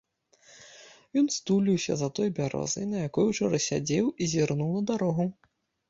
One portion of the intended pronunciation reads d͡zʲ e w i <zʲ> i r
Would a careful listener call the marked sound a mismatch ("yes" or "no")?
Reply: no